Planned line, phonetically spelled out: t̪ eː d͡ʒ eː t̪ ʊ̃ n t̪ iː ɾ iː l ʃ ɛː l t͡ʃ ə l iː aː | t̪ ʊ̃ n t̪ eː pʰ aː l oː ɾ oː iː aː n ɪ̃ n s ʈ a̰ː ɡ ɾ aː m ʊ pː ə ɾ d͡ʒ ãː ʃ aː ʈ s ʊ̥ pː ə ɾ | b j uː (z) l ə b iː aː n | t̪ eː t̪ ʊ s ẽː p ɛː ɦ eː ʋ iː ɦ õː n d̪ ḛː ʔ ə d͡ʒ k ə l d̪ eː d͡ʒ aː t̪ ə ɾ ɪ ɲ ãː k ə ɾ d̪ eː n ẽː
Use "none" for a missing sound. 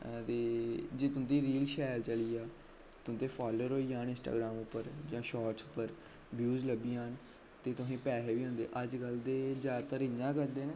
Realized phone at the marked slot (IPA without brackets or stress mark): z